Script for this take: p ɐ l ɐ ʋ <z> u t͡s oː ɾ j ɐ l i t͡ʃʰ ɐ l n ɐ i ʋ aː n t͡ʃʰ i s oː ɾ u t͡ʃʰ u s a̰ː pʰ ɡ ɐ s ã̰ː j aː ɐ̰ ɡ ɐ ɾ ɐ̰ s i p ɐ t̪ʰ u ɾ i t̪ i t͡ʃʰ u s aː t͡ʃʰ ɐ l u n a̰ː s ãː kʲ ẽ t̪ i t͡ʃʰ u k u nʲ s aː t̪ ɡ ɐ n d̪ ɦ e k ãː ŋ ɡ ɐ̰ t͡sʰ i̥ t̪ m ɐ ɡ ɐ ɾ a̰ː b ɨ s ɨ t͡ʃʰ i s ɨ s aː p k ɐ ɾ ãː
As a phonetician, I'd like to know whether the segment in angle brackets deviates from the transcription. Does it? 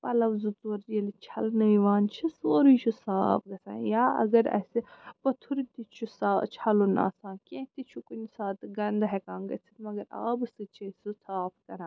no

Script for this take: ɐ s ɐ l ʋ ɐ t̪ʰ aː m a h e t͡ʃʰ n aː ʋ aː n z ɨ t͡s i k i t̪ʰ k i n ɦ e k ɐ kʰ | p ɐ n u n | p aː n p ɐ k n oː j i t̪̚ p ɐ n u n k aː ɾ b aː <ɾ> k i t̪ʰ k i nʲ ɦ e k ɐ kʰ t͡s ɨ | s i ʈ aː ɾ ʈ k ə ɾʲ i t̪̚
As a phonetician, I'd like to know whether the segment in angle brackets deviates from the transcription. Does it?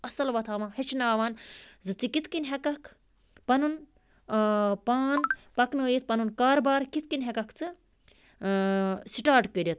no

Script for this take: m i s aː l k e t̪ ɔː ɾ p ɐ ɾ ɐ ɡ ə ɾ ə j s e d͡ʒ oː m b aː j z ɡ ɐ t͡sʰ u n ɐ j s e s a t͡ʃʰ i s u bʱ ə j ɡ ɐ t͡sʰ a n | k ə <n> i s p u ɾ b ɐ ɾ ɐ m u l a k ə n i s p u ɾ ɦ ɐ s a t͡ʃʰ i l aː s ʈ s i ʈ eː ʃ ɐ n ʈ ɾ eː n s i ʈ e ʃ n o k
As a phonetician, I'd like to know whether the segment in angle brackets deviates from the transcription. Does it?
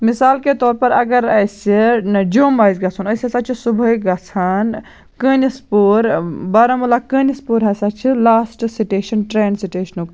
no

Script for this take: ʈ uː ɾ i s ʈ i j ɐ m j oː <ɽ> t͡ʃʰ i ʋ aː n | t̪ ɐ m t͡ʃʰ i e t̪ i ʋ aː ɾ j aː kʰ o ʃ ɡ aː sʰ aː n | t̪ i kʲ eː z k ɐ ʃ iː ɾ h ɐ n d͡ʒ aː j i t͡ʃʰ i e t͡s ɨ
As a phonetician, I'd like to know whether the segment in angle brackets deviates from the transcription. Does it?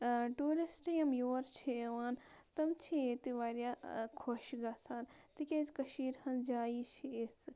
yes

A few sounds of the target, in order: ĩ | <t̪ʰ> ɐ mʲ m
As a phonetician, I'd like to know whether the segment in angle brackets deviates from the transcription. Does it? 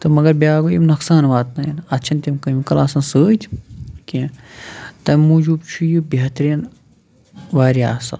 yes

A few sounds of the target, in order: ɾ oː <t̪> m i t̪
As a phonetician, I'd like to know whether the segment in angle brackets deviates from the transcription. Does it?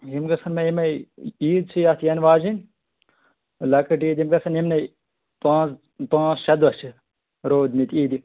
yes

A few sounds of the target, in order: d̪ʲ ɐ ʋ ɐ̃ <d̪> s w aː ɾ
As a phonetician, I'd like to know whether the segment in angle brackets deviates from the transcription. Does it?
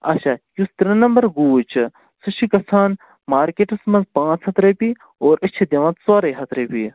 yes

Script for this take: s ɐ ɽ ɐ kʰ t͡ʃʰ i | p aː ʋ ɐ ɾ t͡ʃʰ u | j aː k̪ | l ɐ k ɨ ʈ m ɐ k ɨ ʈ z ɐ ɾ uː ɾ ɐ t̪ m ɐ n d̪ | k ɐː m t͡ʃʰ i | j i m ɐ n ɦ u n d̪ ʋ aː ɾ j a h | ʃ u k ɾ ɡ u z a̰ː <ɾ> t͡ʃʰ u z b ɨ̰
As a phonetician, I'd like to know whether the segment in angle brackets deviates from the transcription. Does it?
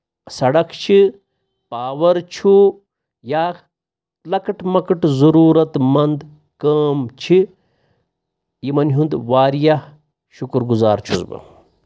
no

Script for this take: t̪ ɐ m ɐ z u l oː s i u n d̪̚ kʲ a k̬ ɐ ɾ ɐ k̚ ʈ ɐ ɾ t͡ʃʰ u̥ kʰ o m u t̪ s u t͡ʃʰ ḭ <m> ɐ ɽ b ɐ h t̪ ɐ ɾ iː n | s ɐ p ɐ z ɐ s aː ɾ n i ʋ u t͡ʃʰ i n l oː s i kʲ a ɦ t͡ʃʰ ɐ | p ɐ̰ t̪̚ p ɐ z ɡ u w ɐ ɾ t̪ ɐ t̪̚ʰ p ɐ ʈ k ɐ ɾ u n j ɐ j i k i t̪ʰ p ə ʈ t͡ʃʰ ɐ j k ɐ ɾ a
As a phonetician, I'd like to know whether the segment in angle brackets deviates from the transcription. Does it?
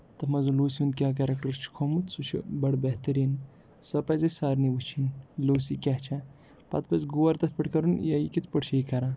yes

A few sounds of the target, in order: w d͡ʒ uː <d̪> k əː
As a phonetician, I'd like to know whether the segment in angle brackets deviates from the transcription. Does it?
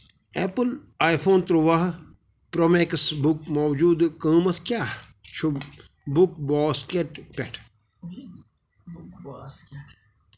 no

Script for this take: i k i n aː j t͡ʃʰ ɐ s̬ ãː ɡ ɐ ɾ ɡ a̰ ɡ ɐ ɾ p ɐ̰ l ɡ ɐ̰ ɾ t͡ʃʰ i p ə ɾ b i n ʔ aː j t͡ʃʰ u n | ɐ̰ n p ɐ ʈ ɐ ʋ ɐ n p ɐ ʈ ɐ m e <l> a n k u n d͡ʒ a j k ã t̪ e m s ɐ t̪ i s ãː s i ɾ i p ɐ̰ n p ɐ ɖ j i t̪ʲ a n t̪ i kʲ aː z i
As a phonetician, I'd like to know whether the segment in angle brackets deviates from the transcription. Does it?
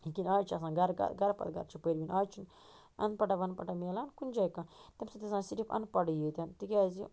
no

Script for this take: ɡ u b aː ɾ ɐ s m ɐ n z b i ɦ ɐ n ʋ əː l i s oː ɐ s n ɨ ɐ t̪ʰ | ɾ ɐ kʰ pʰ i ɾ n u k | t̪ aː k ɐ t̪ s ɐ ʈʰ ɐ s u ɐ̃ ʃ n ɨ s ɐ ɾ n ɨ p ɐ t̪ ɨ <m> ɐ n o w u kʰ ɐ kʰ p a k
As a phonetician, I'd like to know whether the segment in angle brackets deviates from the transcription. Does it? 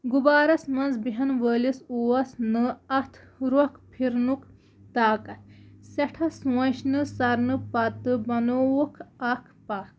yes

